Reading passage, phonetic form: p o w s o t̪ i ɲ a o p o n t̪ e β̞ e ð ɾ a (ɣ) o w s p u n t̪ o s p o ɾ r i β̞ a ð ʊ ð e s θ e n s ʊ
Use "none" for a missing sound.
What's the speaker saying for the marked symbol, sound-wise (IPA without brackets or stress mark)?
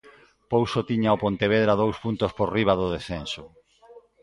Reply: ð